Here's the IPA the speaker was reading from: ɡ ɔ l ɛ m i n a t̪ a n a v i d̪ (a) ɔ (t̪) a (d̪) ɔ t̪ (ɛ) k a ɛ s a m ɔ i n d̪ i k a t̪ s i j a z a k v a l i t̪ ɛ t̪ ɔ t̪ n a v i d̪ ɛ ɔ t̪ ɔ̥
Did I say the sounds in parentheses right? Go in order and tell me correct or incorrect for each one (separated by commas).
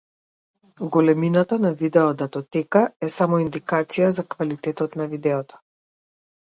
incorrect, incorrect, incorrect, correct